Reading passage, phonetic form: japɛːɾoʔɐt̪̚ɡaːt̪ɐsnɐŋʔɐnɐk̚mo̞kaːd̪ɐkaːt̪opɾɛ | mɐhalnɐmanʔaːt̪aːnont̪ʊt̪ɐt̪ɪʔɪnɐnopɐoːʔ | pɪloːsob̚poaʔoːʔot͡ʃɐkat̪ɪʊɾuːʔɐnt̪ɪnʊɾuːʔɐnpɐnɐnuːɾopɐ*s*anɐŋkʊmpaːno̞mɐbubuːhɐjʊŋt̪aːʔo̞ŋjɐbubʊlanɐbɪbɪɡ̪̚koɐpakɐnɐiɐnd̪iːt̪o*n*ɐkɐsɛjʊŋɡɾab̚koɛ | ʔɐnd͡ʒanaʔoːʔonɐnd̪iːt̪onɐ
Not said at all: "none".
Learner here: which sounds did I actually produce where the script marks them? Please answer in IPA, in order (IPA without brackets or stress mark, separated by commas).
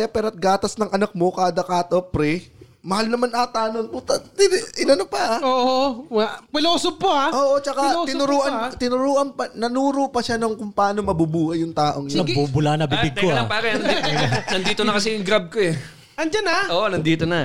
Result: ʃ, n